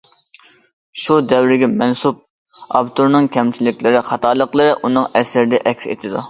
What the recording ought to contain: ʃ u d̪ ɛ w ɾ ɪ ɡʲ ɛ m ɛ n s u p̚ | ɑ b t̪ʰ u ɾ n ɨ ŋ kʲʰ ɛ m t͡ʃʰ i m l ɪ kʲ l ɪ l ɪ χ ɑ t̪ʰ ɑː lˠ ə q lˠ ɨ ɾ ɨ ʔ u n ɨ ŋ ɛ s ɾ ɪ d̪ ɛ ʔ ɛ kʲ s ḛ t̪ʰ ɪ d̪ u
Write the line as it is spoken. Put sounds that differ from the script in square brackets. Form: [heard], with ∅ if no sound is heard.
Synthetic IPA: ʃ u d̪ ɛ w ɾ ɪ ɡʲ ɛ m ɛ n s u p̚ | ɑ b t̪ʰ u ɾ n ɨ ŋ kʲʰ ɛ m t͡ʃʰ i [∅] l ɪ kʲ l ɪ [ɾ] ɪ χ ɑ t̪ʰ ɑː lˠ ə q lˠ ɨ ɾ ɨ ʔ u n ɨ ŋ ɛ s ɾ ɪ d̪ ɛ ʔ ɛ kʲ s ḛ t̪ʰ ɪ d̪ u